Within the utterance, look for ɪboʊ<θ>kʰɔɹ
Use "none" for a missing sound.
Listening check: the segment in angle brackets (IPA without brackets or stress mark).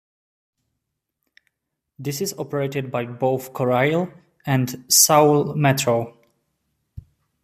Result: θ